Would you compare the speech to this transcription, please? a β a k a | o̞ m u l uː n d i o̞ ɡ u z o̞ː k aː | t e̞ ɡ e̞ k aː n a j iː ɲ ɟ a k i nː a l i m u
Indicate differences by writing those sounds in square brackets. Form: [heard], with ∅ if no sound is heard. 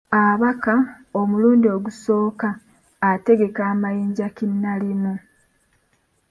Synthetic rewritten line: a β a k a | o̞ m u l uː n d i o̞ ɡ u [s] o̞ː k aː | t e̞ ɡ e̞ k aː [m] a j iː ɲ ɟ a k i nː a l i m u